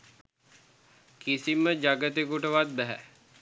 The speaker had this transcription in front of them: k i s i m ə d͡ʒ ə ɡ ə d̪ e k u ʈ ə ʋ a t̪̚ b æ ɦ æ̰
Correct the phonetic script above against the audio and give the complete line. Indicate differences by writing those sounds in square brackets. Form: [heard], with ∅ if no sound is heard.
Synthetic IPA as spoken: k i s i m ə d͡ʒ [a] ɡ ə [t̪] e k u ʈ ə ʋ a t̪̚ b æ ɦ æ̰